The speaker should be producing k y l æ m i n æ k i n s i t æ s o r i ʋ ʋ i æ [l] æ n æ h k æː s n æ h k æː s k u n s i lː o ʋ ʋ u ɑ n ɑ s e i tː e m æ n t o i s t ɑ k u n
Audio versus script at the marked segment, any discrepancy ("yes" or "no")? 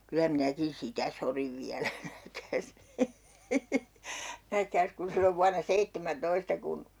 no